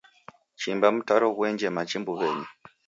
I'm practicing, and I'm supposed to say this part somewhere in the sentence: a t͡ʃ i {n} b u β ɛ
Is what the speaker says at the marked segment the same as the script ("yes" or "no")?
no